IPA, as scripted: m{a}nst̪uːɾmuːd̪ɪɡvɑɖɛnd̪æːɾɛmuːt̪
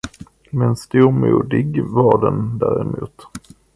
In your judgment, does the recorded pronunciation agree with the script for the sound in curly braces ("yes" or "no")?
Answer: no